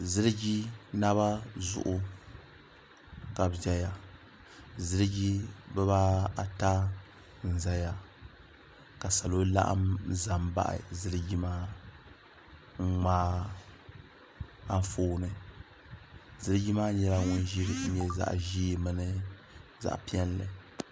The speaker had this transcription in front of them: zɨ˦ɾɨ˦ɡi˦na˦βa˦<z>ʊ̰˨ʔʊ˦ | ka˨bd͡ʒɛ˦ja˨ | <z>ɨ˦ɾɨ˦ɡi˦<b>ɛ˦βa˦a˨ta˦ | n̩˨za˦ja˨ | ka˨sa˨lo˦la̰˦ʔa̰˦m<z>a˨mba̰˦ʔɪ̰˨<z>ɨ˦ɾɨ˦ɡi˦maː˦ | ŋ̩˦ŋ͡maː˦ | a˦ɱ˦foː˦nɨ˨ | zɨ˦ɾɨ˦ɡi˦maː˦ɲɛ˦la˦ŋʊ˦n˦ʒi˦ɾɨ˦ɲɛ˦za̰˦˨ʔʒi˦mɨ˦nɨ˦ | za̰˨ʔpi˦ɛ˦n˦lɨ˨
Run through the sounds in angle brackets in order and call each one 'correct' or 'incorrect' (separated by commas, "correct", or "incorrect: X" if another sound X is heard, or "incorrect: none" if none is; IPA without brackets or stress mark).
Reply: correct, correct, correct, correct, correct